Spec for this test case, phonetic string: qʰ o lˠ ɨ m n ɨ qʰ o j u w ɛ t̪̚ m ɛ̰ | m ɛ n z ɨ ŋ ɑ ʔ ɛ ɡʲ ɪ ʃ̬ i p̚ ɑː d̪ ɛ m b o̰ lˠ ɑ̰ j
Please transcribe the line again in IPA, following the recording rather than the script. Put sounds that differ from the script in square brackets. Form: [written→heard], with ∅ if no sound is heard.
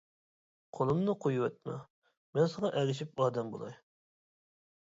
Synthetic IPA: qʰ o lˠ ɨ m n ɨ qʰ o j u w ɛ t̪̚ m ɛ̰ | m ɛ n [z→s] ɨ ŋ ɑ ʔ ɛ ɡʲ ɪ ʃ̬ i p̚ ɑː d̪ ɛ m b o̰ lˠ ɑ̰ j